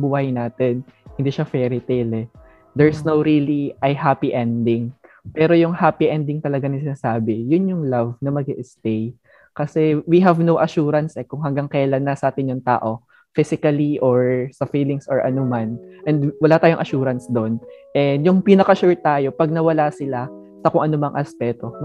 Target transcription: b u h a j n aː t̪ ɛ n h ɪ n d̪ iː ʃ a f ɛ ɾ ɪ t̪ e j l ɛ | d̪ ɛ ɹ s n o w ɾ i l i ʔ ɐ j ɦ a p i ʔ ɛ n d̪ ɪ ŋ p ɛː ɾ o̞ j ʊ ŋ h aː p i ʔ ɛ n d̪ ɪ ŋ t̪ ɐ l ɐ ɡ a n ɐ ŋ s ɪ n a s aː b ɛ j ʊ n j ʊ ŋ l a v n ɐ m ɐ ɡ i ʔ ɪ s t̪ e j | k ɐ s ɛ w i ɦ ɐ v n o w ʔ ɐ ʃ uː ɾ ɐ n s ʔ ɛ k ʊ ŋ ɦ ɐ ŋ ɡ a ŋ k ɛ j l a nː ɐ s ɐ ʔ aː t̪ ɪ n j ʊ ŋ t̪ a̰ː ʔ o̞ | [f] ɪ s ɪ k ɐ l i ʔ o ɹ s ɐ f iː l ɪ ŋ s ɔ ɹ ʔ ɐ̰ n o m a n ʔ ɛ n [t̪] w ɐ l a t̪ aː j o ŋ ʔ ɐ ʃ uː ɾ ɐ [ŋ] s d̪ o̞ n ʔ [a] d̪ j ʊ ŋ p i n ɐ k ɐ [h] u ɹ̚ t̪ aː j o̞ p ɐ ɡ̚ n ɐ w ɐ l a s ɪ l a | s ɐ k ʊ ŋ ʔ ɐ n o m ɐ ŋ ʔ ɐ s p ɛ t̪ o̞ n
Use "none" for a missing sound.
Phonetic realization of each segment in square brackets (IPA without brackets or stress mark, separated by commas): f, d̪, n, ɛ, ʃ